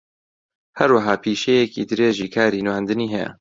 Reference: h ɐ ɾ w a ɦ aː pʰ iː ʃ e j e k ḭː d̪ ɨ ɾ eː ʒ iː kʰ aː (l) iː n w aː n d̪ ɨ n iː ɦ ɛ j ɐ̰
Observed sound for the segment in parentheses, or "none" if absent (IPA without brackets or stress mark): ɾ